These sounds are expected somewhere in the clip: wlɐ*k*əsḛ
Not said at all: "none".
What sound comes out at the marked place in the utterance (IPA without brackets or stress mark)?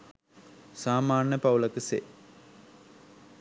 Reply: k